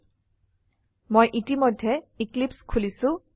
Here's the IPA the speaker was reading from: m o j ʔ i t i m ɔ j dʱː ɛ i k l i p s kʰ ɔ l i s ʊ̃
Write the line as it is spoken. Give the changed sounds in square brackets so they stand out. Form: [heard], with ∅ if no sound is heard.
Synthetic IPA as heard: m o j ʔ i t i m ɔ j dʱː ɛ i k l i p s kʰ [u] l i s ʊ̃